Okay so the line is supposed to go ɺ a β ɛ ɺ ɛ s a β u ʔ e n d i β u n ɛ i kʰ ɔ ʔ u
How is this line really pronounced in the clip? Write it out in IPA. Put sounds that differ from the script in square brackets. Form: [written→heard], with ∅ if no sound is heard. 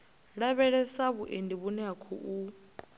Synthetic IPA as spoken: ɺ a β ɛ ɺ ɛ s a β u ʔ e n d i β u n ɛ [i→a] kʰ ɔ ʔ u